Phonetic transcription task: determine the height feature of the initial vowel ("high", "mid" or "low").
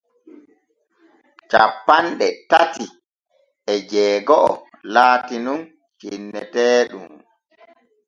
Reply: low